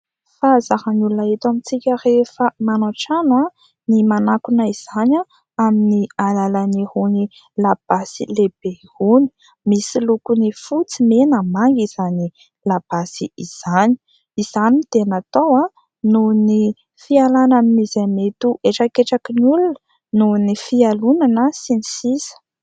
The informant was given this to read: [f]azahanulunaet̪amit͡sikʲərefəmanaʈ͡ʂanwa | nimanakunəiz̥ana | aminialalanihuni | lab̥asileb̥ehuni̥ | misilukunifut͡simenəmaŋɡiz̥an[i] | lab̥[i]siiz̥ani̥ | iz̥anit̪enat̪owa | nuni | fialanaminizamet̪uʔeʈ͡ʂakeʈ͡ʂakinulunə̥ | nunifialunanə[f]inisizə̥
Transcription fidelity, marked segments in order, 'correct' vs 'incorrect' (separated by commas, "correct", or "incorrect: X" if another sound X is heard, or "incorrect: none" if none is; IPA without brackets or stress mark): correct, correct, incorrect: a, incorrect: s